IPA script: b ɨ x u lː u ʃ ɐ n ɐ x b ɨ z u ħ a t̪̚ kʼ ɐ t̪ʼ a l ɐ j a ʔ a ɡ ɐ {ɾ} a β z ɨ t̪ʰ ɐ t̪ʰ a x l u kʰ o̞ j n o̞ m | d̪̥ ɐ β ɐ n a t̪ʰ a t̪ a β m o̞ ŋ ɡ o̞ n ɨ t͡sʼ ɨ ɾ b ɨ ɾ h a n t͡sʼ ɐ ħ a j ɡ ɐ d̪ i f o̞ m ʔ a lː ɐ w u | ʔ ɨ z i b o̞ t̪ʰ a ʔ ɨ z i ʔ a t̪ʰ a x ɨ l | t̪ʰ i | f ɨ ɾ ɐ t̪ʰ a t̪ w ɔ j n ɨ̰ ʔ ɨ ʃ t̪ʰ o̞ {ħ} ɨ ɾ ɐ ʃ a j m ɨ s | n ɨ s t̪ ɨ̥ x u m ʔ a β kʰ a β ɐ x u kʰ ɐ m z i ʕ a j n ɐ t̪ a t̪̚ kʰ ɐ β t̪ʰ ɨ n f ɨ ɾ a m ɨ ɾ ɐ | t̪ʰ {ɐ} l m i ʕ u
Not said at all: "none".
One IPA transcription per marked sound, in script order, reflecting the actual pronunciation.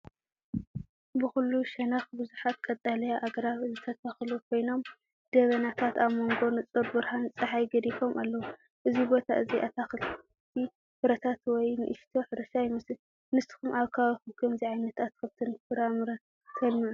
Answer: ɾ, ħ, ɐ

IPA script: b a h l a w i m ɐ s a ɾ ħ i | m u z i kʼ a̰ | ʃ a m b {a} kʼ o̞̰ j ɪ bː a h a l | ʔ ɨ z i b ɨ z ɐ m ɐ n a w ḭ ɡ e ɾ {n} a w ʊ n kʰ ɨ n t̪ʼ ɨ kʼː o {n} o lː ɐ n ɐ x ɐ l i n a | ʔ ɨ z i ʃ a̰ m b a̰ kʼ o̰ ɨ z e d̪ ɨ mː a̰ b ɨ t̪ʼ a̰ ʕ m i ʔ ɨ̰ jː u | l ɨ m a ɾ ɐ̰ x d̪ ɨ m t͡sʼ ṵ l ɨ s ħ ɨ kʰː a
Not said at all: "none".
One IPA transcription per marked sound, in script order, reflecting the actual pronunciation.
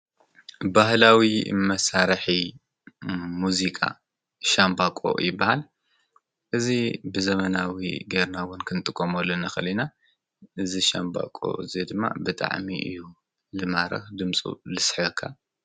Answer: a, n, m

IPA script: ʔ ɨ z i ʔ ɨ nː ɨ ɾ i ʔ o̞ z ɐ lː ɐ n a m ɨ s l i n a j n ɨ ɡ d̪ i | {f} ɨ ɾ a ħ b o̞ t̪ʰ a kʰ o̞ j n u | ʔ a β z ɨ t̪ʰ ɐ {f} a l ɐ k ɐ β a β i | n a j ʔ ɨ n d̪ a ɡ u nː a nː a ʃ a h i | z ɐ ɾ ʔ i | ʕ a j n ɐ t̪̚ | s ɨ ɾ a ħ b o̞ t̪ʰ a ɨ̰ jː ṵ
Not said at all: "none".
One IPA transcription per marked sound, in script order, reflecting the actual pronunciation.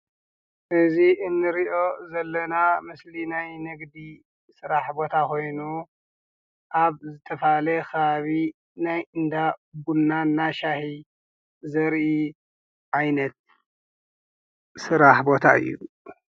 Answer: s, f

